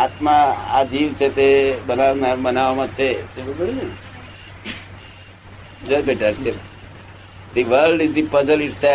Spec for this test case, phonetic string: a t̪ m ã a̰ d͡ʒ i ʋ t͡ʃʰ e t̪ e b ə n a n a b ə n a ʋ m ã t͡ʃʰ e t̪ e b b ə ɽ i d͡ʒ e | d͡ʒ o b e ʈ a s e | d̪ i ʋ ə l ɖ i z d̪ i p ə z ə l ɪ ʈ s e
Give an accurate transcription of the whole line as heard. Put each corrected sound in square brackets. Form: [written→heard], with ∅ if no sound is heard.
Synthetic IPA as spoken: a t̪ m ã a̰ d͡ʒ i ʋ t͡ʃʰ e t̪ e b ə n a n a b ə n a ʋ m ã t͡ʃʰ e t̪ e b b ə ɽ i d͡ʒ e | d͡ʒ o b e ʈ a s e | d̪ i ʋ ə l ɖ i z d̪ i p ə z ə l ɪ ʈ s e